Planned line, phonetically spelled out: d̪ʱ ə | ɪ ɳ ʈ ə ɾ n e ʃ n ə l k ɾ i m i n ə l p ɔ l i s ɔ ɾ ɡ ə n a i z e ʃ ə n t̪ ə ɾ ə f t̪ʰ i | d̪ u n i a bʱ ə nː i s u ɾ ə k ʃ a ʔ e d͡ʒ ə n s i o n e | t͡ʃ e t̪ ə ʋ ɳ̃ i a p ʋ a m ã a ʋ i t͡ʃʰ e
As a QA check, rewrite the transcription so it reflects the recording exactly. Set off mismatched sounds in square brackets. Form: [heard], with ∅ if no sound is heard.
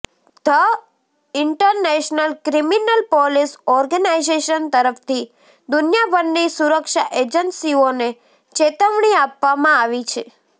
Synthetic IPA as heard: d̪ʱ ə | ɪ ɳ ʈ ə ɾ n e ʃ n ə l k ɾ i m i n ə l p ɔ l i s ɔ ɾ ɡ ə n a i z e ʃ ə n t̪ ə ɾ ə f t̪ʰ i | d̪ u n [j] a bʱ ə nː i s u ɾ ə k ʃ a ʔ e d͡ʒ ə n s i o n e | t͡ʃ e t̪ ə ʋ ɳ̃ i a p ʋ a m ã a ʋ i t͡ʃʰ e